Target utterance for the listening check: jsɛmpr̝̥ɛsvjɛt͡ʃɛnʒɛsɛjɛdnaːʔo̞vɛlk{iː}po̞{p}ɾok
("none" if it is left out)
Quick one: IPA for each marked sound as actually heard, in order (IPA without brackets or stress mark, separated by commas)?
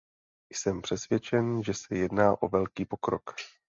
iː, k